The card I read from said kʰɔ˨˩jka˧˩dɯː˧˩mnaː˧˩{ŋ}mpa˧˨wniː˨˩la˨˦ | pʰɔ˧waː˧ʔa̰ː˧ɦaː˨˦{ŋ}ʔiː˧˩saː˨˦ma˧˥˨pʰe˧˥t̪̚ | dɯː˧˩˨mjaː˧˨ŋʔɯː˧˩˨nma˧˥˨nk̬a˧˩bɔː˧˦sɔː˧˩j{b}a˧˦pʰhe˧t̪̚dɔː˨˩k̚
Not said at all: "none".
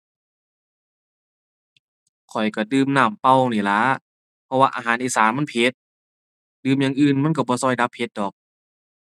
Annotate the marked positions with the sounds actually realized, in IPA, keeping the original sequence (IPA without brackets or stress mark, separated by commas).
none, n, d